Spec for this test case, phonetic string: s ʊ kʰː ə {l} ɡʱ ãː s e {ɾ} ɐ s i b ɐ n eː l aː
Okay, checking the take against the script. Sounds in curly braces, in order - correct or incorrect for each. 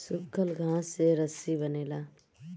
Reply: correct, correct

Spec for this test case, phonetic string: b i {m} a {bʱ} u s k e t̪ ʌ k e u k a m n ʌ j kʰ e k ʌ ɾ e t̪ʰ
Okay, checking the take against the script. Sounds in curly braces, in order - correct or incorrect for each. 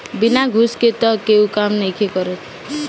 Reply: incorrect: n, incorrect: ɡʱ

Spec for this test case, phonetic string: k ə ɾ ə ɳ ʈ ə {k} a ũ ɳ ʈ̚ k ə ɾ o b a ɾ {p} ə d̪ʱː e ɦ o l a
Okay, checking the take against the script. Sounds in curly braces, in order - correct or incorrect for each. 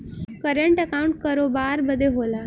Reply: correct, incorrect: b

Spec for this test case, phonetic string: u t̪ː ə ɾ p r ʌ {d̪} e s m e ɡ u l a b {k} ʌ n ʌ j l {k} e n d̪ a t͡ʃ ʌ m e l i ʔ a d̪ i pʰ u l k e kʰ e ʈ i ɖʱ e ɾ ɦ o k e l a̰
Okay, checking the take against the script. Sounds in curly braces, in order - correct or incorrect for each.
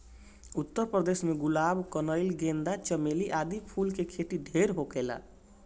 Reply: correct, correct, incorrect: ɡ

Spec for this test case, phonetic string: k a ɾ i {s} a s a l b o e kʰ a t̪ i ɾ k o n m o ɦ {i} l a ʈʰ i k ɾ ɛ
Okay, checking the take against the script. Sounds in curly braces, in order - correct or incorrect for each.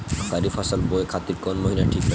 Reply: incorrect: f, correct

